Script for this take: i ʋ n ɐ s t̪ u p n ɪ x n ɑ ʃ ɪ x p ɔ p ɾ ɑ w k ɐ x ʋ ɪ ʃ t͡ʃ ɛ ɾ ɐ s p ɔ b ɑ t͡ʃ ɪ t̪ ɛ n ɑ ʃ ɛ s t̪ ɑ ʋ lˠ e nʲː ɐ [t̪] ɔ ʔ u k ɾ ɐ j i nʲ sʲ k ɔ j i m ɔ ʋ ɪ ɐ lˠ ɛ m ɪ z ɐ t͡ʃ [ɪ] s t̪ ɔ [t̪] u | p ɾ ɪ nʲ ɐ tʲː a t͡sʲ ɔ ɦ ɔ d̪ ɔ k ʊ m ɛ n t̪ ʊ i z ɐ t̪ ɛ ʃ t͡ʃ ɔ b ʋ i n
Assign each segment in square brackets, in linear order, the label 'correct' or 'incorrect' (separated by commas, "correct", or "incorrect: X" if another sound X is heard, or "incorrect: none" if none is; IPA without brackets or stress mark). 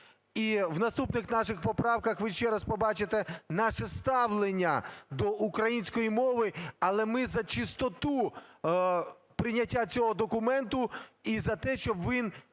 incorrect: d̪, correct, correct